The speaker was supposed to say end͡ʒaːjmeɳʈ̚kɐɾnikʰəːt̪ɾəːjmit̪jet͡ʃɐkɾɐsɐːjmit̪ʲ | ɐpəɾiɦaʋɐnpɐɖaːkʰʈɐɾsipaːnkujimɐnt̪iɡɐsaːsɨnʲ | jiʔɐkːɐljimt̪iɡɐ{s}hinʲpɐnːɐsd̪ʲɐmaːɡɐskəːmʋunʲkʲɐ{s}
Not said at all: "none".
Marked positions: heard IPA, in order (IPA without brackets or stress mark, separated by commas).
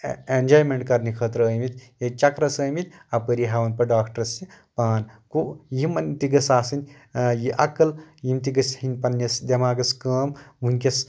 s, s